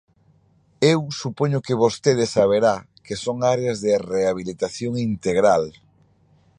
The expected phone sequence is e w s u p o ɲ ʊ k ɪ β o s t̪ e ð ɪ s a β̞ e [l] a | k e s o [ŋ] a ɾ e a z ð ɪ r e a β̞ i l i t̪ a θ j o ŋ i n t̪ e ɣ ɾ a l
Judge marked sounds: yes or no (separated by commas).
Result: no, yes